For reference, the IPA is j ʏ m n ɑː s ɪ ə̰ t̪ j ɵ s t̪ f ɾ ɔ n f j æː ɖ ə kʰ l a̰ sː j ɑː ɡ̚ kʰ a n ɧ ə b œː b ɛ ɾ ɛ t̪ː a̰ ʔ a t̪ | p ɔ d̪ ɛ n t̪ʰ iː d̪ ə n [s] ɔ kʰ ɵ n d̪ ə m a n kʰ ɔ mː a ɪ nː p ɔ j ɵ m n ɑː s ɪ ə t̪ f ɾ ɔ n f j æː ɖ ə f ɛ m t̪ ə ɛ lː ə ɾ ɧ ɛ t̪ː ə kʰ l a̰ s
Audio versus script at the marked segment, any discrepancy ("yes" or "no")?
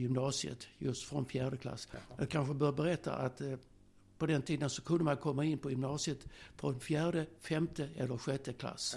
no